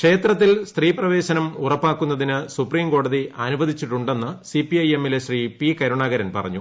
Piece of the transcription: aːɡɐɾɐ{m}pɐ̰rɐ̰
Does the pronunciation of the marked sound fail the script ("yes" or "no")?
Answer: yes